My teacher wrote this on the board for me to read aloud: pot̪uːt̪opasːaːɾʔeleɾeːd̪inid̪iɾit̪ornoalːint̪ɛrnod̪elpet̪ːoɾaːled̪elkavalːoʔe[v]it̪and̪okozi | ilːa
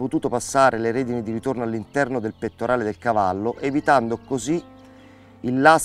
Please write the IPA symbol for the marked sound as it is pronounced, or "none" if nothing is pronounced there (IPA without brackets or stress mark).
v